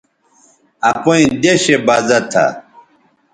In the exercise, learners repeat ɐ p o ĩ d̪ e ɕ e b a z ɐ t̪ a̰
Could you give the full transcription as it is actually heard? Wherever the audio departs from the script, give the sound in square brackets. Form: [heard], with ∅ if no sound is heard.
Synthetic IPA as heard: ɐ p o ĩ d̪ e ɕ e b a z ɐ [t̪ʰ] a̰